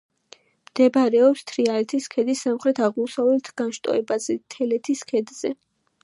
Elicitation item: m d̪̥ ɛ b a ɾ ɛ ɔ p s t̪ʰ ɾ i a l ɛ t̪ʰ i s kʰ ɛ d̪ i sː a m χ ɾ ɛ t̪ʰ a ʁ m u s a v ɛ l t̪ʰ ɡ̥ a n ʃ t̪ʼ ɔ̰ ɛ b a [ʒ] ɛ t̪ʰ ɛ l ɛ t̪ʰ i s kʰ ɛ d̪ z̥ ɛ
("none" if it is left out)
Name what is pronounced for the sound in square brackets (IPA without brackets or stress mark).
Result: z